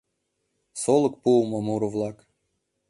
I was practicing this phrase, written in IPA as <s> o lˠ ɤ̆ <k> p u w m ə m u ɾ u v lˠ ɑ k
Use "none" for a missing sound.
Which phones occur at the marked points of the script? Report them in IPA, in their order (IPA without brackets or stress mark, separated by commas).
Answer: s, k